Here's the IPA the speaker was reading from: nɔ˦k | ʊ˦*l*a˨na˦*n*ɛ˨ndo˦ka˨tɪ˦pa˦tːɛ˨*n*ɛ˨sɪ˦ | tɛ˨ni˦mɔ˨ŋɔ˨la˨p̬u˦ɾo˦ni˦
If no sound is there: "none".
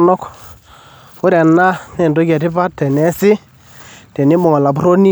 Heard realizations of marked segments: ɾ, n, n

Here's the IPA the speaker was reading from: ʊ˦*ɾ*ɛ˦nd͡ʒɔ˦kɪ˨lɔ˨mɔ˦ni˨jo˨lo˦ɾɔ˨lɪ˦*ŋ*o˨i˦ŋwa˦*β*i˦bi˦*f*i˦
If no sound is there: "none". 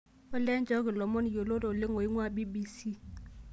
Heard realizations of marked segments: l, ŋ, b, s

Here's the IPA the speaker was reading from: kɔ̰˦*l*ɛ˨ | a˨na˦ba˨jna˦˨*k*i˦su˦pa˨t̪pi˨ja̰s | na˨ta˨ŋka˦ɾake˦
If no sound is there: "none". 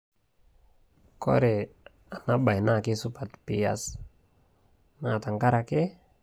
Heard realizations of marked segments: ɾ, k

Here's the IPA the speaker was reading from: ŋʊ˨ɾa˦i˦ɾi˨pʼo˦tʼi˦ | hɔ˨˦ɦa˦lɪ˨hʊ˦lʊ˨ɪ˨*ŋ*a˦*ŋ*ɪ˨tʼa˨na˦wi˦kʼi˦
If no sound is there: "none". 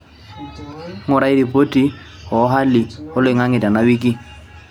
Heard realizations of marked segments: ŋ, ŋ

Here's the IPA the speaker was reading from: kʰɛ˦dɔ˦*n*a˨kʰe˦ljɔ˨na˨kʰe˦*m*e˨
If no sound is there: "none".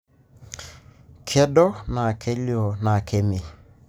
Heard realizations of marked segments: n, m

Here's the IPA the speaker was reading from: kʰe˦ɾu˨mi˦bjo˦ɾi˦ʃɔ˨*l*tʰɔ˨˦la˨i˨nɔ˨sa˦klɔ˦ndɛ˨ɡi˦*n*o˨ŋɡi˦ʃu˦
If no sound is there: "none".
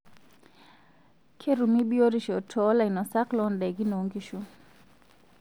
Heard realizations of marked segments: none, n

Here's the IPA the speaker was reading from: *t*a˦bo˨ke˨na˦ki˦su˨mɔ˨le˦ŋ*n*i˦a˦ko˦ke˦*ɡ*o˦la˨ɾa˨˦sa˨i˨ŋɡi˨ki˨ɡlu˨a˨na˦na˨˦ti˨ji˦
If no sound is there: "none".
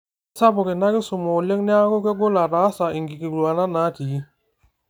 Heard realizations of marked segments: s, n, ɡ

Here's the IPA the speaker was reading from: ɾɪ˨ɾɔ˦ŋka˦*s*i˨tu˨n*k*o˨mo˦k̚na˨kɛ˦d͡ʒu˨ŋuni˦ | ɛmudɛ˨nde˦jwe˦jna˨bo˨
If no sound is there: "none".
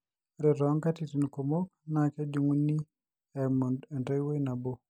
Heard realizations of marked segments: t, k

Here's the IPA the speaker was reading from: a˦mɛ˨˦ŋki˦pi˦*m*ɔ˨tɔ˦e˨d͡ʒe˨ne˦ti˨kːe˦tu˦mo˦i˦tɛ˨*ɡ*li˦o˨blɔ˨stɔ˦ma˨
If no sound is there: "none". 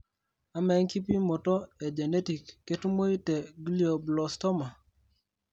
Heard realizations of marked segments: m, ɡ

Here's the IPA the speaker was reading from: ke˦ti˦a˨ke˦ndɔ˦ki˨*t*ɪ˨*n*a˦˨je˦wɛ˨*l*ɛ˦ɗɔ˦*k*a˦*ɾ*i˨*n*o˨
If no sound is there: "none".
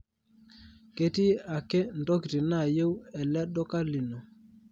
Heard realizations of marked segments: t, n, l, k, l, n

